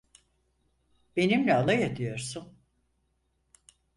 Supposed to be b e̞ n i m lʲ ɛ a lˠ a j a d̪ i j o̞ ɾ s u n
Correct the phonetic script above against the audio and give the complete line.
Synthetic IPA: b e̞ n i m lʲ ɛ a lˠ a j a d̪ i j o̞ ɾ s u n